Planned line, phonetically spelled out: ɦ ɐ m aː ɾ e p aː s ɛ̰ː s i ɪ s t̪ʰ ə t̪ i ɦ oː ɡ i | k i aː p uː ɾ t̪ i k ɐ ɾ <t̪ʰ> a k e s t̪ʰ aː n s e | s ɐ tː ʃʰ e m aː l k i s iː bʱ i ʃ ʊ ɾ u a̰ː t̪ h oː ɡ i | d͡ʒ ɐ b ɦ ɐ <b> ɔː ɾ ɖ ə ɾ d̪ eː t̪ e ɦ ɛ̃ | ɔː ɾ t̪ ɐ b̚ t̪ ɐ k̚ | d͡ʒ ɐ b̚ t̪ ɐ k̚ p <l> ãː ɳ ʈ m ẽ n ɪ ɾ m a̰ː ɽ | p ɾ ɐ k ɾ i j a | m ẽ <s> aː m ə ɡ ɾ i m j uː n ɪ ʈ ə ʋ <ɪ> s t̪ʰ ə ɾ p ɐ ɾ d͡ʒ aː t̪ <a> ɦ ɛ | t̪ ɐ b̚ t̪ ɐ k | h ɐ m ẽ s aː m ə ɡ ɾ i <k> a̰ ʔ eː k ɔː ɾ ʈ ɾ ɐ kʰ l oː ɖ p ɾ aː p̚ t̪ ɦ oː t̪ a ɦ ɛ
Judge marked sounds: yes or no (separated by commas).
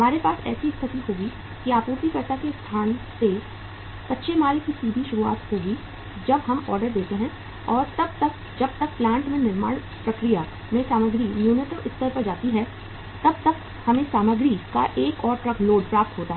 no, no, yes, yes, yes, no, yes